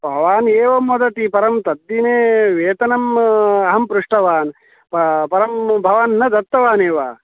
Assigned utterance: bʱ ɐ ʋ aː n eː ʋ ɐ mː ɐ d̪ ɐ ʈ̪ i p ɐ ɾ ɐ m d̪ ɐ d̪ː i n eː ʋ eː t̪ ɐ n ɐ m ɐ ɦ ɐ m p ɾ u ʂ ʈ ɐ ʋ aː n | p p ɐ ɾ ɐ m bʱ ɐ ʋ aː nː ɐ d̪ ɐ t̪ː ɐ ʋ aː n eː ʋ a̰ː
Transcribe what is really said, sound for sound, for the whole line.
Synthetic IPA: bʱ ɐ ʋ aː n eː ʋ ɐ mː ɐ d̪ ɐ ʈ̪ i p ɐ ɾ ɐ m t̪ ɐ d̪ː i n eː ʋ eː t̪ ɐ n ɐ m ɐ ɦ ɐ m p ɾ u ʂ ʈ ɐ ʋ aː n | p p ɐ ɾ ɐ m bʱ ɐ ʋ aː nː ɐ d̪ ɐ t̪ː ɐ ʋ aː n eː ʋ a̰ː